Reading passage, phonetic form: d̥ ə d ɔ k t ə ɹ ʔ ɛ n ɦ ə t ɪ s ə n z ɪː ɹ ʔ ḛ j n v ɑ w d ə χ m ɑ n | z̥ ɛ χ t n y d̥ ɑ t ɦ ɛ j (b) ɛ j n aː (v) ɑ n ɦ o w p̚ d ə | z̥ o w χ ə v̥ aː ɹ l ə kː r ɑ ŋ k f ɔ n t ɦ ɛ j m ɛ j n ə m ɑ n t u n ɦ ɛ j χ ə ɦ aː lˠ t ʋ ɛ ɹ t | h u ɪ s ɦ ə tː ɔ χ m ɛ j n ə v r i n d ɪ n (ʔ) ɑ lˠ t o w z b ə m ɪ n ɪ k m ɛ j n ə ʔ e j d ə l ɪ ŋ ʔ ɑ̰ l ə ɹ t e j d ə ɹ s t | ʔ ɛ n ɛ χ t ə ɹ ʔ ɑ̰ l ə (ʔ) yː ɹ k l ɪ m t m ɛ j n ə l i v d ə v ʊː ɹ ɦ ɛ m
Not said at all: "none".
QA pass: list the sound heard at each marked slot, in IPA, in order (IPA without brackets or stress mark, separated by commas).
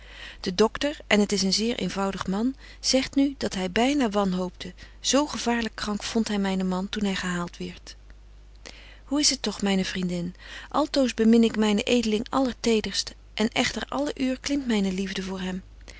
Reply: b, ʋ, ʔ, ʔ